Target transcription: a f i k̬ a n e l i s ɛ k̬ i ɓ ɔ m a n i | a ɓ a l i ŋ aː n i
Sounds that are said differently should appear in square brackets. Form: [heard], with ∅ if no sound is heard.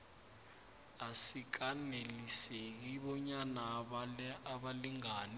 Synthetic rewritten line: a [s] i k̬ a n e l i s [e] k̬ i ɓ ɔ [ɲ] a n [a] | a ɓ a l i ŋ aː n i